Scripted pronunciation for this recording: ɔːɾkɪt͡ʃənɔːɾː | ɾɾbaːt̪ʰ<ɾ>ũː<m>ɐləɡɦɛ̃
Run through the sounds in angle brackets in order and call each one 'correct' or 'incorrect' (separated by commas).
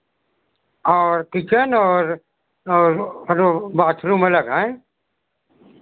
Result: correct, correct